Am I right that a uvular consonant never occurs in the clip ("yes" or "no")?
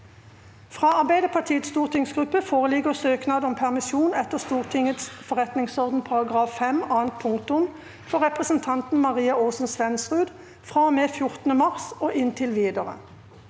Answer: no